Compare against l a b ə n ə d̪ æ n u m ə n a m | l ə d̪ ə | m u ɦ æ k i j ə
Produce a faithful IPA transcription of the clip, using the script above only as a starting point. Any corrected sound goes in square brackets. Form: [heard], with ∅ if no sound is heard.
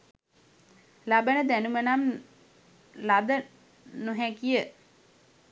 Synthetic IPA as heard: l a b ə n ə d̪ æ n u m ə n a m | l [a] d̪ ə | [n] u ɦ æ k i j ə